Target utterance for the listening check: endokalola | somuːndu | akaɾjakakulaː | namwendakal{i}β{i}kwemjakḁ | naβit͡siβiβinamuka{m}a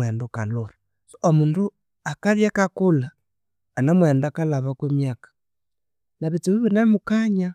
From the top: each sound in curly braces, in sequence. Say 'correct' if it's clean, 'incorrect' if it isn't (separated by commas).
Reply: incorrect, incorrect, incorrect